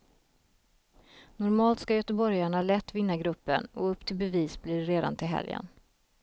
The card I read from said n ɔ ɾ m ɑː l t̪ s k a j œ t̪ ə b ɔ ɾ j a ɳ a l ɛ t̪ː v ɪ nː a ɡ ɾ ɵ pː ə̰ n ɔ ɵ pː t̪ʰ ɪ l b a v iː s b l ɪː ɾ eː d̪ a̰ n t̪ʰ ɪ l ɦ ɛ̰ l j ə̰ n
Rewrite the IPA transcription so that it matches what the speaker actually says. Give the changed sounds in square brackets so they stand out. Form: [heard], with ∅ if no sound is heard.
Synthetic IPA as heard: n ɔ ɾ m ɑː l t̪ s k a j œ t̪ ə b ɔ ɾ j a ɳ a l ɛ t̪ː v ɪ nː a ɡ ɾ ɵ pː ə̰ n ɔ ɵ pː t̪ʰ ɪ l b [ɛ] v iː s b l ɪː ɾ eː d̪ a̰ n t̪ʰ ɪ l ɦ ɛ̰ l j ə̰ n